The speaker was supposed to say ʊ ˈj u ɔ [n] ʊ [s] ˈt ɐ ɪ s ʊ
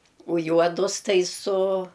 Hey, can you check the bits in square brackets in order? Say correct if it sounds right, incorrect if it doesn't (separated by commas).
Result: incorrect, correct